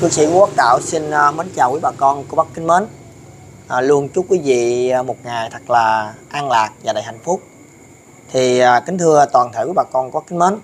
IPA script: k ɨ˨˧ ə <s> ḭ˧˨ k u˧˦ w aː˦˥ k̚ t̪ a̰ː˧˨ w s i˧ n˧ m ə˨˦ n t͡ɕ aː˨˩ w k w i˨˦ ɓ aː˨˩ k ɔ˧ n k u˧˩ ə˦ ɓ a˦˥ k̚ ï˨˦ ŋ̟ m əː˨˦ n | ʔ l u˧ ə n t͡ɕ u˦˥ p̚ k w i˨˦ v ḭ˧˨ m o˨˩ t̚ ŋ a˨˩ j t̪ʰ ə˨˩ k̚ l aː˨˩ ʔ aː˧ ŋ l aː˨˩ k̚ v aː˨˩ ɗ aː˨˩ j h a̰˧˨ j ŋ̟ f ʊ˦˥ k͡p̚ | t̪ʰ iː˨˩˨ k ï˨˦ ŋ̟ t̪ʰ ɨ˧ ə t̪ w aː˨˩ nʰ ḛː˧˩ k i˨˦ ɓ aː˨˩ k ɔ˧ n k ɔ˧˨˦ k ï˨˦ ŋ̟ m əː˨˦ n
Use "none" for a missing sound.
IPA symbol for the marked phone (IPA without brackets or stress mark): s